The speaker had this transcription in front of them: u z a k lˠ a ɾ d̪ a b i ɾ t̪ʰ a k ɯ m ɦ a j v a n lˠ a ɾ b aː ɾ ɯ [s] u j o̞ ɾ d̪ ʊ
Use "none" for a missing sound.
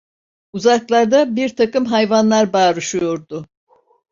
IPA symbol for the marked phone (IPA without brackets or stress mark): ʃ